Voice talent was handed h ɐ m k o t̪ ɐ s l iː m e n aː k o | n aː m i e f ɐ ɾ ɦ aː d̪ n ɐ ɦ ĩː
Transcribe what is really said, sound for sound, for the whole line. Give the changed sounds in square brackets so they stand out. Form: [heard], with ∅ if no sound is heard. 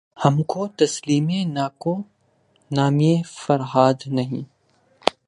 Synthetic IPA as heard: h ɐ m k o t̪ ɐ s l iː m e n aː k o | n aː m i e f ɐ ɾ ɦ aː d̪ n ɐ ɦ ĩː

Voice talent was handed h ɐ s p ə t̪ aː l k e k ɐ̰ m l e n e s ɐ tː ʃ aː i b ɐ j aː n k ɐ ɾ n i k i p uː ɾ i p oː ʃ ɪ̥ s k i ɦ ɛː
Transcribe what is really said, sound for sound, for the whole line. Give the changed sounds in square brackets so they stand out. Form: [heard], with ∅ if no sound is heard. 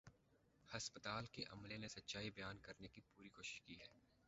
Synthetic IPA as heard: h ɐ s p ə t̪ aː l k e [ʔ] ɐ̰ m l e n e s ɐ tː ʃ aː i b ɐ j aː n k ɐ ɾ n [e] k i p uː ɾ i [k] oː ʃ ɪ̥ [ʃ] k i ɦ ɛː

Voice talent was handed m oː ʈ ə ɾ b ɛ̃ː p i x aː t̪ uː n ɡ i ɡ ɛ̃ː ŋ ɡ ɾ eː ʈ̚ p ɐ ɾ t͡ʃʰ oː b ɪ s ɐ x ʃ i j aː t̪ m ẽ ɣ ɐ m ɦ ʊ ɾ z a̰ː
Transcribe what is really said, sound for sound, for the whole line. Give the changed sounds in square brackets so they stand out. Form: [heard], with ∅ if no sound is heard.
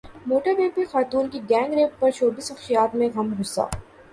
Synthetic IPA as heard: m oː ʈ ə ɾ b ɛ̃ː p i x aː t̪ uː n [k] i ɡ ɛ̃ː ŋ ɡ ɾ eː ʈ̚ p ɐ ɾ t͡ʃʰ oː b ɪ s ɐ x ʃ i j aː t̪ m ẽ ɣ ɐ m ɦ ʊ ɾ [s] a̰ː

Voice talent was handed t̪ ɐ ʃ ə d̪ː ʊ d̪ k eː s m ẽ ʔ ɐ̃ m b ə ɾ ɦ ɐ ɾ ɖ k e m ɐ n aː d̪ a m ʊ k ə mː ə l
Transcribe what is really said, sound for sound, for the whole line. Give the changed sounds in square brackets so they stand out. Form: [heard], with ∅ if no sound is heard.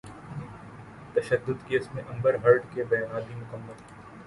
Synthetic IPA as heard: t̪ ɐ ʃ ə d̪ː ʊ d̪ k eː s m ẽ ʔ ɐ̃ m b ə ɾ ɦ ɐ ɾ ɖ k e [b] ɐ n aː d̪ [i] m ʊ k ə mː ə l

